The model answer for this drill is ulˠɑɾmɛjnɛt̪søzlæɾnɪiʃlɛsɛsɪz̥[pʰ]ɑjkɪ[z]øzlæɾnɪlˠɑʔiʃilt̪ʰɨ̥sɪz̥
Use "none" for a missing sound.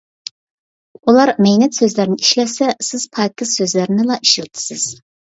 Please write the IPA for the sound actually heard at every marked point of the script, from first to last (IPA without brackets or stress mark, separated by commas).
pʰ, s